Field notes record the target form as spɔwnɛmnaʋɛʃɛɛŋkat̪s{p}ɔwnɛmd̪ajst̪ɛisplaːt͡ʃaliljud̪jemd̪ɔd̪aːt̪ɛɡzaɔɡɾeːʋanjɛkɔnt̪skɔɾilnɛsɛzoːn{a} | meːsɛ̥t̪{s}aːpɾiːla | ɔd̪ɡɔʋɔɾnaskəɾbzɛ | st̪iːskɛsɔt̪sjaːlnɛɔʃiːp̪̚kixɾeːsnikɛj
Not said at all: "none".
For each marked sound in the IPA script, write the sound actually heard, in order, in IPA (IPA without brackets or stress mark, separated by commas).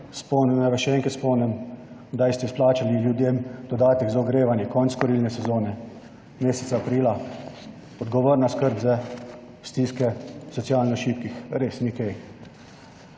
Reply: p, ɛ, s